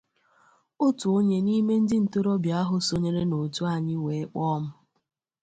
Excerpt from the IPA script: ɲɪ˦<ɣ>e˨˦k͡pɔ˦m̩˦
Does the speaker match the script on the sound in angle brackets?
no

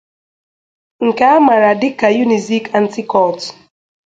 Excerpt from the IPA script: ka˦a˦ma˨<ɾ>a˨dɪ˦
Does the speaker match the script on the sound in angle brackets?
yes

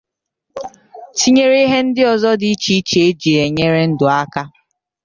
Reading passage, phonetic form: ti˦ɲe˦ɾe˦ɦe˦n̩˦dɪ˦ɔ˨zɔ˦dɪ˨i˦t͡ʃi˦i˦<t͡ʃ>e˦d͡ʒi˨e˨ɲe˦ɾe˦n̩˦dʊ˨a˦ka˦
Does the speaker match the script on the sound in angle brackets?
yes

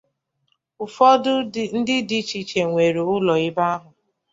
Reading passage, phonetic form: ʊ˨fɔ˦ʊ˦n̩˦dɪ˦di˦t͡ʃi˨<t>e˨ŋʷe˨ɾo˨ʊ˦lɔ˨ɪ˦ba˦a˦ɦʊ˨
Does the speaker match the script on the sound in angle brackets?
no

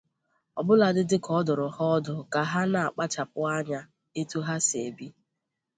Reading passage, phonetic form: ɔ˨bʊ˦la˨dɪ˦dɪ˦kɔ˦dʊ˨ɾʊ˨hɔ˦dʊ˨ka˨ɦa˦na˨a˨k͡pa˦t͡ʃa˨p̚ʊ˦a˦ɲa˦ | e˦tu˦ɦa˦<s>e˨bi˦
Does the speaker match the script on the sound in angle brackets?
yes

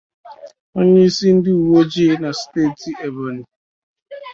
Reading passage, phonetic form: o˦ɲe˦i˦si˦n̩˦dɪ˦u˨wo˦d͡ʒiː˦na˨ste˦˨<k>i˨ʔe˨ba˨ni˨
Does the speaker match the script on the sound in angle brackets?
no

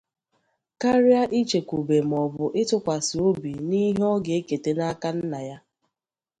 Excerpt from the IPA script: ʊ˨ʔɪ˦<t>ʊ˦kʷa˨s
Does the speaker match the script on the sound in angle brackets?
yes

